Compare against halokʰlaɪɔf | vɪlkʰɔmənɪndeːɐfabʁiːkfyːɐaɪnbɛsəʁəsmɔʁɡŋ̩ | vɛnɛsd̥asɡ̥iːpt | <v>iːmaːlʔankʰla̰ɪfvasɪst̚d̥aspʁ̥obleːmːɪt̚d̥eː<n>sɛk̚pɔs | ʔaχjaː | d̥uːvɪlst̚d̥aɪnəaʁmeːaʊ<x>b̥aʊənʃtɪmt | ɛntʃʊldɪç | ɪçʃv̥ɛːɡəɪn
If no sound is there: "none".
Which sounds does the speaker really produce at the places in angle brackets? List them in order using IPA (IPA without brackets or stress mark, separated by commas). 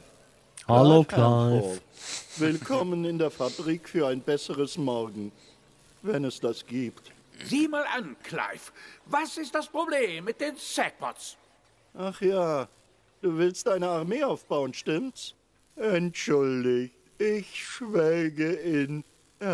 z, n, f